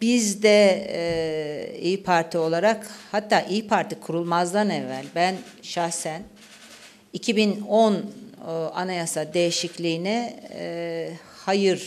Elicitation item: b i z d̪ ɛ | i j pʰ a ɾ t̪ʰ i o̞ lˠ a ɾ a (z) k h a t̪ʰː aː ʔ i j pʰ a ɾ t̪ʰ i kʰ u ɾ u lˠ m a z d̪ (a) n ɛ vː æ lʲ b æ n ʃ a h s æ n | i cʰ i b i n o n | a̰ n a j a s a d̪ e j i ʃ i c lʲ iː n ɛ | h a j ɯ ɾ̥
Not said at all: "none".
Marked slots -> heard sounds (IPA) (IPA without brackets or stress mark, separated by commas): none, a